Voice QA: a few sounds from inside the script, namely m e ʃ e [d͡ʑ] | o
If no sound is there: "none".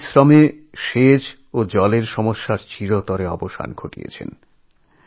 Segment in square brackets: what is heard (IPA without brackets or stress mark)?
d͡ʑ